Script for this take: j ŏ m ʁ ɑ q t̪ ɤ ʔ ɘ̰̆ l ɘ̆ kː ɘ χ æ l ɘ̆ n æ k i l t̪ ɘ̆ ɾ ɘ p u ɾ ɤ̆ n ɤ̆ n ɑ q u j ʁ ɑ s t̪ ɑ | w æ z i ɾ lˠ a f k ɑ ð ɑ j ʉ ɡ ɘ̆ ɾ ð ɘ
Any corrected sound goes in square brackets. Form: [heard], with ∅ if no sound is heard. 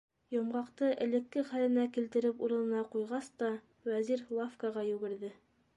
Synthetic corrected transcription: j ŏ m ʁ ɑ q t̪ ɤ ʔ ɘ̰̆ l ɘ̆ kː ɘ χ æ l ɘ̆ n æ k i l t̪ ɘ̆ ɾ ɘ p u ɾ ɤ̆ n ɤ̆ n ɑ q u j ʁ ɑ s t̪ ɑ | w æ z i ɾ lˠ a f k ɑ [ʁ] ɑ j ʉ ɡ ɘ̆ ɾ ð ɘ